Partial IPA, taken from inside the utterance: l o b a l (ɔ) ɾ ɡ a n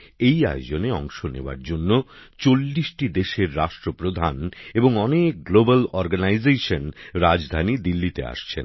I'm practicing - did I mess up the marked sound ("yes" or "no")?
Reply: no